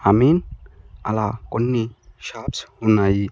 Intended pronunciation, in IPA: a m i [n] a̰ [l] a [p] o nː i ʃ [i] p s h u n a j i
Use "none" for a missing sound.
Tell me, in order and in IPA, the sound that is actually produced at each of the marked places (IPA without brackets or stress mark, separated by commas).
n, l, k, a